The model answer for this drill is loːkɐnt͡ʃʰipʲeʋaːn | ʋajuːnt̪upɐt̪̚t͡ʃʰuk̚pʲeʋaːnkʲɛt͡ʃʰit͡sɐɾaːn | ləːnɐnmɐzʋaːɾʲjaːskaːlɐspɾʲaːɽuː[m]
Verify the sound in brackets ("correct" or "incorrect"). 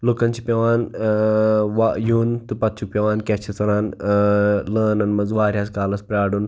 incorrect